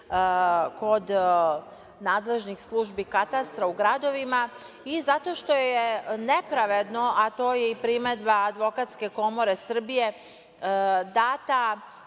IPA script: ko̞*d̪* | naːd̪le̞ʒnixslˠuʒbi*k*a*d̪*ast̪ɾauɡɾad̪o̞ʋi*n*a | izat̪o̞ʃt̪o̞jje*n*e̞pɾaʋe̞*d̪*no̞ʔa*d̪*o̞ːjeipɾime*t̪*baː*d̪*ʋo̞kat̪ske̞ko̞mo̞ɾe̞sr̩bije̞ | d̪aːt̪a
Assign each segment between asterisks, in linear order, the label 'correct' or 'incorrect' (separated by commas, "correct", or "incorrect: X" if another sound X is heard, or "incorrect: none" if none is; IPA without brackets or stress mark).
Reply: correct, correct, incorrect: t̪, incorrect: m, correct, correct, incorrect: t̪, incorrect: d̪, correct